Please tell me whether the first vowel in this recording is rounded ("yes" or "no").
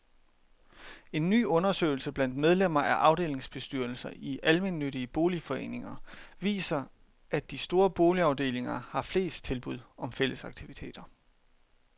no